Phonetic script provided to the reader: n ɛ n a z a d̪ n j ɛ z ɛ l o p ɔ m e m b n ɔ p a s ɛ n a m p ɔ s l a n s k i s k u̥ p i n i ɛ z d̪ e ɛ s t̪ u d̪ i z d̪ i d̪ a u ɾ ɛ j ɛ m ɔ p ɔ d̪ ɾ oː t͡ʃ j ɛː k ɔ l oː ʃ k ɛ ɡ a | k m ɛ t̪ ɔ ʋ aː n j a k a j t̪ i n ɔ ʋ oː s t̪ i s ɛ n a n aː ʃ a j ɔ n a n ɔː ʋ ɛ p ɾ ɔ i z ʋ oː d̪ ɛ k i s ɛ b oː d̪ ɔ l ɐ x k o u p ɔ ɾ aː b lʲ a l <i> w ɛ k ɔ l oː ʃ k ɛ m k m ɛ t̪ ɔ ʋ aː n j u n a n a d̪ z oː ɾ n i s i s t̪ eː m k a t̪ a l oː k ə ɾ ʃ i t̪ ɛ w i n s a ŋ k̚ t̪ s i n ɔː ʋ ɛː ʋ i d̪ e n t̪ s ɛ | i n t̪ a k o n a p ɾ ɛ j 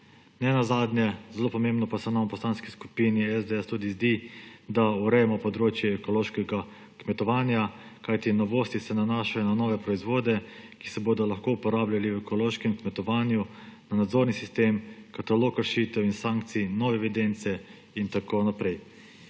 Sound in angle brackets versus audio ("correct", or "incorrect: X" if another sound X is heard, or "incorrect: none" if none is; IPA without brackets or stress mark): correct